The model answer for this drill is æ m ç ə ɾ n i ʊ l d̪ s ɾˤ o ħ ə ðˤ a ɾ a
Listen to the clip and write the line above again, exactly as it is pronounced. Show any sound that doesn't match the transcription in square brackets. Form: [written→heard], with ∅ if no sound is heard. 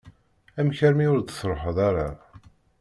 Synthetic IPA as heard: æ m ç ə ɾ [n→m] i ʊ [l→ɾ] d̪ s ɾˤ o ħ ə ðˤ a ɾ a